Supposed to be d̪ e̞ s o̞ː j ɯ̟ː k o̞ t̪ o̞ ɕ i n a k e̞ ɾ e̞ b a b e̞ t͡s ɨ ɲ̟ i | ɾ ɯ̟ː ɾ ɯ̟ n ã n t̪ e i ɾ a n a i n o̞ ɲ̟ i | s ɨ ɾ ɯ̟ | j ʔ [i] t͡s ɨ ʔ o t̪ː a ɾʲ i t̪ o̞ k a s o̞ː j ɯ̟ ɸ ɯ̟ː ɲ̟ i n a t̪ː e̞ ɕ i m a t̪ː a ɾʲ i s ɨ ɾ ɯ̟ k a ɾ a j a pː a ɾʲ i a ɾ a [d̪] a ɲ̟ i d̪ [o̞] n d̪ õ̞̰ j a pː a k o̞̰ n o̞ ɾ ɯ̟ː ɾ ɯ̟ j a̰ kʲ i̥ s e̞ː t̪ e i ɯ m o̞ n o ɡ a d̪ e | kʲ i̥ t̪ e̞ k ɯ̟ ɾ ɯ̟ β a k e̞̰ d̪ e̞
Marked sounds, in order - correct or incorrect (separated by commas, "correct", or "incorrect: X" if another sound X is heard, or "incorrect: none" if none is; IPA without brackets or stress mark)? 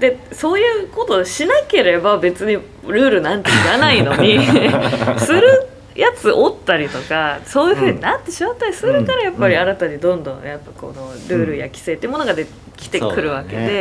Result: incorrect: a, incorrect: t̪, incorrect: õ̞